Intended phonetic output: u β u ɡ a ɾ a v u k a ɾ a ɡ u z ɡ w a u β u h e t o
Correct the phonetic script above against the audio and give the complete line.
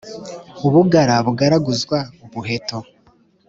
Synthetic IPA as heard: u β u ɡ a ɾ a β u ɡ a ɾ a ɡ u z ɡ w a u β u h e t o